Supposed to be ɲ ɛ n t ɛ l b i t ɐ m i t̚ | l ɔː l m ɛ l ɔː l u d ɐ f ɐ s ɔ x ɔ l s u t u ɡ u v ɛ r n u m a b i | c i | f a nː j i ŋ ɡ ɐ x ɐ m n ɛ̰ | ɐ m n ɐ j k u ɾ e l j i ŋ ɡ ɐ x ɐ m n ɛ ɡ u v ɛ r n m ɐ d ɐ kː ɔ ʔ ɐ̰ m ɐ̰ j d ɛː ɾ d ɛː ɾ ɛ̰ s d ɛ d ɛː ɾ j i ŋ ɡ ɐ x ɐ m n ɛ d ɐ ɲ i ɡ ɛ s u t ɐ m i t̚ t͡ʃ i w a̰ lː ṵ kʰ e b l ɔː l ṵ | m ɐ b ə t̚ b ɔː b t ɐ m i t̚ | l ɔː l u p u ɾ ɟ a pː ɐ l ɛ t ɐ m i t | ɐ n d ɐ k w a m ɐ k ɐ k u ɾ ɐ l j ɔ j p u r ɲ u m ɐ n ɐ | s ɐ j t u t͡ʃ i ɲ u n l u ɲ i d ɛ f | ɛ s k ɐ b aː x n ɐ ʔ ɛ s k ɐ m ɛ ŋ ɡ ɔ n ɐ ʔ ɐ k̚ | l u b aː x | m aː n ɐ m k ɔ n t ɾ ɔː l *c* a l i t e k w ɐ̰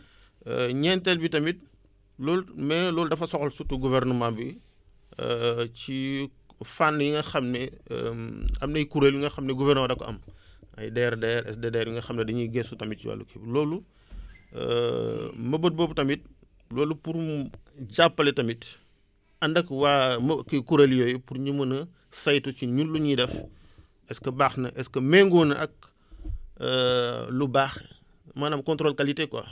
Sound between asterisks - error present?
yes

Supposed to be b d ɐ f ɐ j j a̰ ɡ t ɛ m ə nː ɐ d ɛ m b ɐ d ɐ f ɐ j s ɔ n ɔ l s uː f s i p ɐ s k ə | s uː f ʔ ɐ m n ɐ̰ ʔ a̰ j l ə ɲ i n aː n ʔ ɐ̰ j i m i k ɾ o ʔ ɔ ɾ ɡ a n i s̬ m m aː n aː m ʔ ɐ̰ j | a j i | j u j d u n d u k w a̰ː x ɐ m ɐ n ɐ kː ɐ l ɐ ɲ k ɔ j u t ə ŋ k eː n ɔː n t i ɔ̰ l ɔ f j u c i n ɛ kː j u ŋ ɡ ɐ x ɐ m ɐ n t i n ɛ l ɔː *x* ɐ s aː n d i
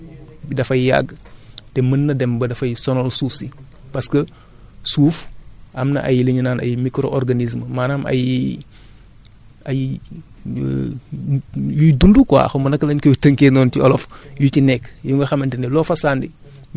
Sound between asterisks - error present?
yes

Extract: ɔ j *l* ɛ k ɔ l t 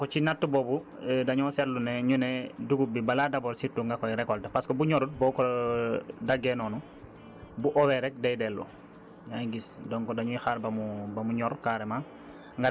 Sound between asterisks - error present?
yes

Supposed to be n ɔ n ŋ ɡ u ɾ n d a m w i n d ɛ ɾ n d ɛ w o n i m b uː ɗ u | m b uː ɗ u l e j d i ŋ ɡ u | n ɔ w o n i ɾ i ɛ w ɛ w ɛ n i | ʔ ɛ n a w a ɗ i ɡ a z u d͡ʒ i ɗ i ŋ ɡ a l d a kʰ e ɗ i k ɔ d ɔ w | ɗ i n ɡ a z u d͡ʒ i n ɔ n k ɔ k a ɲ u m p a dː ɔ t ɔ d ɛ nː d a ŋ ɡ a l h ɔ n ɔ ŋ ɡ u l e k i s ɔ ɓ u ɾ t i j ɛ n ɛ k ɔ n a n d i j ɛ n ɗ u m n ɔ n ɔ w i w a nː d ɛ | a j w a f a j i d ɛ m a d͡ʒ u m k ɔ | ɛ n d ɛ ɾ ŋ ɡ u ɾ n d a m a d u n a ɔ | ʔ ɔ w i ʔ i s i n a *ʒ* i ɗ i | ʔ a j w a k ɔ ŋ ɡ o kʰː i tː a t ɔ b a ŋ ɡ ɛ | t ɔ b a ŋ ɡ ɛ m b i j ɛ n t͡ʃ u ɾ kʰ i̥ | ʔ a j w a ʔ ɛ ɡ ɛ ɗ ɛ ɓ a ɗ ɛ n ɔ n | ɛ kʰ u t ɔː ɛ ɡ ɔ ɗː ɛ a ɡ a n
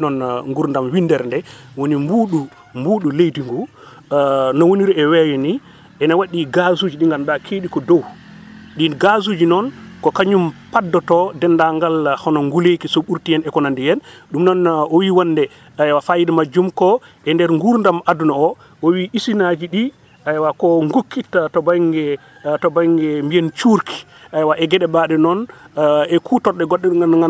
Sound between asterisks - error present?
yes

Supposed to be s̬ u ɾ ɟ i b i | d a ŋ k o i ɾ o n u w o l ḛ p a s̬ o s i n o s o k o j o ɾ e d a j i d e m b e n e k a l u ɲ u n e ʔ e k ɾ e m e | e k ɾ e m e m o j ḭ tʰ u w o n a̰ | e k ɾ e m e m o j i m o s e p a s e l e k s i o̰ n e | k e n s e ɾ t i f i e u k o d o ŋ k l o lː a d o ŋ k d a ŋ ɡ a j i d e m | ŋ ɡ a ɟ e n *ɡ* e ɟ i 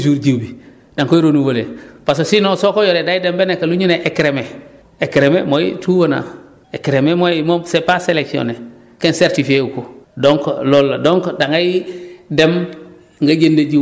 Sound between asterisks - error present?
yes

